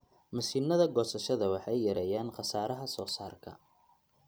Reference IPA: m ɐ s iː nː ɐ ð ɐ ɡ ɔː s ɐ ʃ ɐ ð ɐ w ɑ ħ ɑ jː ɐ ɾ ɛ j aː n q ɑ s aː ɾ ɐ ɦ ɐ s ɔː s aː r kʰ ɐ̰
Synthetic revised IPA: m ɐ s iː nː ɐ ð ɐ ɡ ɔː s ɐ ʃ ɐ ð ɐ w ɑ ħ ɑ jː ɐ ɾ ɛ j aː n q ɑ s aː ɾ ɐ ɦ ɐ s ɔː s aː r kʰ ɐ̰